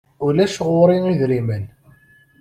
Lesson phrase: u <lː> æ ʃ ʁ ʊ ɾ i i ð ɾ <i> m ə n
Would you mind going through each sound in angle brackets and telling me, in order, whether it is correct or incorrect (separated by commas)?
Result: incorrect, correct